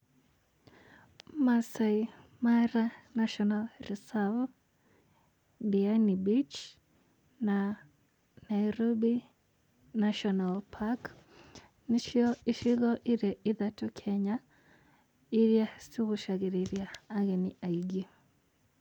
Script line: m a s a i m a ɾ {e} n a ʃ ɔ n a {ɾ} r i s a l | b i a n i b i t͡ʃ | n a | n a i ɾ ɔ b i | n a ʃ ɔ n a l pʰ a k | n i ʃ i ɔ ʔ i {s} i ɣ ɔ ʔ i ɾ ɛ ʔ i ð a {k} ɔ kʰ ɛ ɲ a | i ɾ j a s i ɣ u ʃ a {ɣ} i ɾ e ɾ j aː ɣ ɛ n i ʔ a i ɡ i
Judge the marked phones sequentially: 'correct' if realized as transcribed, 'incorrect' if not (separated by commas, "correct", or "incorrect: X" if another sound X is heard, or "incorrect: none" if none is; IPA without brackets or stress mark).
incorrect: a, incorrect: l, incorrect: ʃ, incorrect: t, correct